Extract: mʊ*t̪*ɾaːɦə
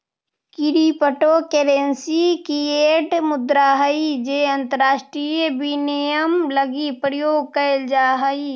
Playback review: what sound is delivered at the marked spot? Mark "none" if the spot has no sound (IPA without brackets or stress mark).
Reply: d̪